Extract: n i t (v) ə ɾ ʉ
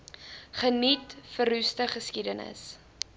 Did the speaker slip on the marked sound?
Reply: yes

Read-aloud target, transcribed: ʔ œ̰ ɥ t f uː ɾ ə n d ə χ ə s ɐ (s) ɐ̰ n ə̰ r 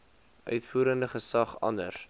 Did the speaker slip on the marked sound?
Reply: yes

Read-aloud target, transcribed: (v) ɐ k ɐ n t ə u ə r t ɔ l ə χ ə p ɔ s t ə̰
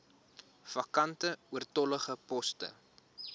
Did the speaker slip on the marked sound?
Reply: yes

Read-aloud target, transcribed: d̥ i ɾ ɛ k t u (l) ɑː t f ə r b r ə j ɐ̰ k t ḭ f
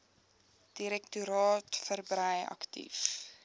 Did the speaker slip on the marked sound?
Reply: yes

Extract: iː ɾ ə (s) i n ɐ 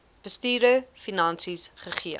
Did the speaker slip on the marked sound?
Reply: yes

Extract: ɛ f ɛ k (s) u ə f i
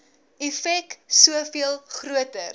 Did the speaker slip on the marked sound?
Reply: no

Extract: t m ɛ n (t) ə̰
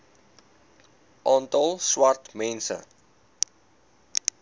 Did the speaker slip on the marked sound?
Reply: yes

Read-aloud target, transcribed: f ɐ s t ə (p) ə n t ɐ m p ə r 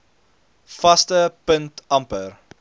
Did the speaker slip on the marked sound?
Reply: no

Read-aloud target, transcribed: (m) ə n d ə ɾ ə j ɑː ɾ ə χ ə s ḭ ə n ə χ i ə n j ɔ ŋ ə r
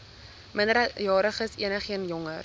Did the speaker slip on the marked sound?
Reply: no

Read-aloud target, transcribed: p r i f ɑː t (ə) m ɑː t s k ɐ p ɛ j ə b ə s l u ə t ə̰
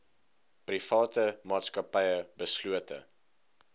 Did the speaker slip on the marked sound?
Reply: no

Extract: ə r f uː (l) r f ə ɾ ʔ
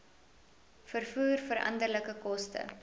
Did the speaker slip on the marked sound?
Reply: yes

